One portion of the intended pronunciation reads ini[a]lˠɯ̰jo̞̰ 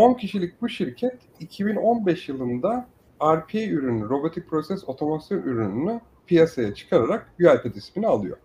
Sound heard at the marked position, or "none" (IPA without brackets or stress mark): a